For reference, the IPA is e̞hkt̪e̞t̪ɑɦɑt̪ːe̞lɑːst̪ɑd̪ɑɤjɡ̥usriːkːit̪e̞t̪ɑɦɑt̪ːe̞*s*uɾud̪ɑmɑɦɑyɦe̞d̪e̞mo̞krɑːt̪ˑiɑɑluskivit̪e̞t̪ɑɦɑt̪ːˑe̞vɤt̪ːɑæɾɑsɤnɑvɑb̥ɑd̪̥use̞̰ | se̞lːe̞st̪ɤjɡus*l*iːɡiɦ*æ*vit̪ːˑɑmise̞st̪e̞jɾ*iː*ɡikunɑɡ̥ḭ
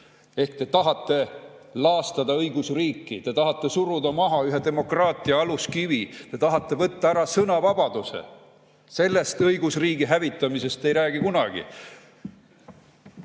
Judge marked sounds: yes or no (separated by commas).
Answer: yes, no, yes, no